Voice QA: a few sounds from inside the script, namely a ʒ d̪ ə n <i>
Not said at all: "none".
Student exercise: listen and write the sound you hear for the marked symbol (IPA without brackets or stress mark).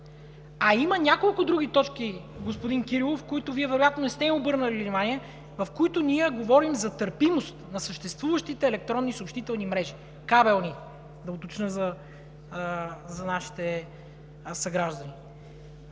i